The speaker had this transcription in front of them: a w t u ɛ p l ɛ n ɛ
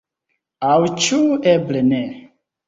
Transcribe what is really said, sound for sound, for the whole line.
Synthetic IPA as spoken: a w t͡ʃ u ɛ b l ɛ n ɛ